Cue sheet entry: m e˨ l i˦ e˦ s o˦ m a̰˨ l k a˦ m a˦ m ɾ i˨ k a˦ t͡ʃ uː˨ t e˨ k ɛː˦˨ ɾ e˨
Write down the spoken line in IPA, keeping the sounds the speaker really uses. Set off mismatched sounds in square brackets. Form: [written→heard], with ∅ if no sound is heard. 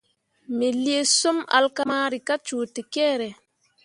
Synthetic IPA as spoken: m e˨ l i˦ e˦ s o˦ m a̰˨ l k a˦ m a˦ [m→∅] ɾ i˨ k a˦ t͡ʃ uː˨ t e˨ k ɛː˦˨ ɾ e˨